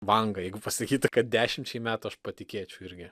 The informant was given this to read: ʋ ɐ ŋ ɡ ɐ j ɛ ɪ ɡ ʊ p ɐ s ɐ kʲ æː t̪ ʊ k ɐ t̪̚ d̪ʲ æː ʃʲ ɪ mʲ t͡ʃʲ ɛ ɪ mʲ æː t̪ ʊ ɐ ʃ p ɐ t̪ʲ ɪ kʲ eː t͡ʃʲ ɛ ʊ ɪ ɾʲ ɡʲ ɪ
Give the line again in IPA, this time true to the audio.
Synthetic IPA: ʋ ɐ ŋ ɡ ɐ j ɛ ɪ ɡ ʊ p ɐ s ɐ kʲ iː t̪ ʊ k ɐ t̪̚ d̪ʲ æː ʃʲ ɪ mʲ t͡ʃʲ ɛ ɪ mʲ æː t̪ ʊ ɐ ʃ p ɐ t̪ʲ ɪ kʲ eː t͡ʃʲ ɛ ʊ ɪ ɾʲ ɡʲ ɪ